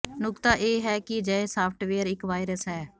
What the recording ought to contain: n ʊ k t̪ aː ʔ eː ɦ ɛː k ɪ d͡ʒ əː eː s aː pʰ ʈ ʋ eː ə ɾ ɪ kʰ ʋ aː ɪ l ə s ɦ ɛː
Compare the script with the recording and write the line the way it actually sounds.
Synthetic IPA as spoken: n ʊ k t̪ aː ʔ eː ɦ ɛː k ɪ d͡ʒ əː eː s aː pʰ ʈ ʋ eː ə ɾ ɪ k ʋ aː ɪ ɾ ə s ɦ ɛː